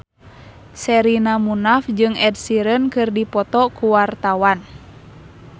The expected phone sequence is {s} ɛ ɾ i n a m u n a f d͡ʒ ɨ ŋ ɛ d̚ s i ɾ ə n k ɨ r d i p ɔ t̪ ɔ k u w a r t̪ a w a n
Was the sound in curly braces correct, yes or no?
yes